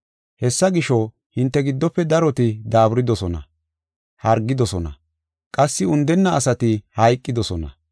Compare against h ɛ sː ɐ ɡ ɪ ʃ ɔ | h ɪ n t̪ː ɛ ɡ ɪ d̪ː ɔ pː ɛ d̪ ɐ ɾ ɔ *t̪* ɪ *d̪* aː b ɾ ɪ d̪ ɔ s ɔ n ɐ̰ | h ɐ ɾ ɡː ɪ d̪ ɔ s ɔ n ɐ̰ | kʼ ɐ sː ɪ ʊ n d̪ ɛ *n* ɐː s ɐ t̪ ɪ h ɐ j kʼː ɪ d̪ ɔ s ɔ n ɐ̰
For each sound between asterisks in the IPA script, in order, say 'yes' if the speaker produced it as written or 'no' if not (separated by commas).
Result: yes, yes, no